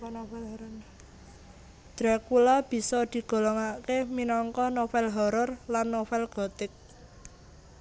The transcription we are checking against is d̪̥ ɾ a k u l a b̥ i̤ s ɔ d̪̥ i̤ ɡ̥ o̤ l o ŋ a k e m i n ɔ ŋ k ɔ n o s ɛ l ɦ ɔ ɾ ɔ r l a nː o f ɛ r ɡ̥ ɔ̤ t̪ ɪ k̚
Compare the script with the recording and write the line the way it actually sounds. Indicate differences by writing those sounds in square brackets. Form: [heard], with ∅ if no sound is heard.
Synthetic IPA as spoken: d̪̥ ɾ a k u l a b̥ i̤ s ɔ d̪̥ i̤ ɡ̥ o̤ l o ŋ a k e m i n ɔ ŋ k ɔ n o [f] ɛ l ɦ ɔ ɾ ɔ r l a nː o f ɛ [l] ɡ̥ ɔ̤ t̪ ɪ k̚